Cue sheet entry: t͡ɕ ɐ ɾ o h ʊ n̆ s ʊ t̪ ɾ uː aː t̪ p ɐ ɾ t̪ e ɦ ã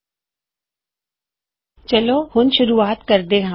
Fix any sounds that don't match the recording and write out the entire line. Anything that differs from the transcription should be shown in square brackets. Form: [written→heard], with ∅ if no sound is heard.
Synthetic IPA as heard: t͡ɕ ɐ [ɾ→l] o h ʊ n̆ [s→ʃ] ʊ [t̪→∅] ɾ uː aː t̪ [p→k] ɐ ɾ [t̪→d̪] e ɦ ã